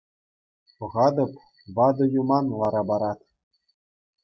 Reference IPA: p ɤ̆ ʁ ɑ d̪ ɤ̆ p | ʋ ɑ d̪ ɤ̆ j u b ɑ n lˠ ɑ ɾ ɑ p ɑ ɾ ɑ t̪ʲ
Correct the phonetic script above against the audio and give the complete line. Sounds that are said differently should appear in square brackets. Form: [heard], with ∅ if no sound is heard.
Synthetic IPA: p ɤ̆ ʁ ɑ d̪ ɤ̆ p | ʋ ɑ d̪ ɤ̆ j u [m] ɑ n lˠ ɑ ɾ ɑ [b] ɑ ɾ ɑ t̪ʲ